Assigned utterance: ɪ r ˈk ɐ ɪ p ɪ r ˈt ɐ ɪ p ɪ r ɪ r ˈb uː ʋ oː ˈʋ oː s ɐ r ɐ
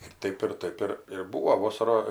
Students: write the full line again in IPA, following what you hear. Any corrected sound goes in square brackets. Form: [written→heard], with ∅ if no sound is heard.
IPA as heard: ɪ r [ˈk→ˈt] ɐ ɪ p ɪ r ˈt ɐ ɪ p ɪ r ɪ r ˈb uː ʋ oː ˈʋ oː s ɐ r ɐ